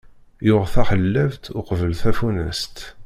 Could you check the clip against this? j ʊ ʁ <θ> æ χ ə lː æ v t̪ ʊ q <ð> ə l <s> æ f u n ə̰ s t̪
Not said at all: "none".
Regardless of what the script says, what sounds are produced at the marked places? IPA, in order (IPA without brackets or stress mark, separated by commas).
θ, v, θ